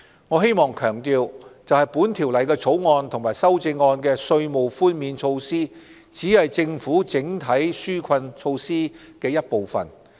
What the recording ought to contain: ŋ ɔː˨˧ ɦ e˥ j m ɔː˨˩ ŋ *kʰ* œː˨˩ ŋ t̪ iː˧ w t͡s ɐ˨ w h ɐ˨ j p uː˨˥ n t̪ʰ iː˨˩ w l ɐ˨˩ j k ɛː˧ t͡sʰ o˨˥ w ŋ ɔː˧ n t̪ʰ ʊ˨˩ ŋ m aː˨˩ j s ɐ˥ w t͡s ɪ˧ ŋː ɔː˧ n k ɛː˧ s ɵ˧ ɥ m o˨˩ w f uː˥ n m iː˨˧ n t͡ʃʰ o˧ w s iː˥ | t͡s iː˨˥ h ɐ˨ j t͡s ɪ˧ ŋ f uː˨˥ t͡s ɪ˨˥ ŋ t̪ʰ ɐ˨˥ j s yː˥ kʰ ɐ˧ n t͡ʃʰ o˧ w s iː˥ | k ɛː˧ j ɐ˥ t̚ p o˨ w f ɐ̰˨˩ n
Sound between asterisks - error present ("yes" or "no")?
no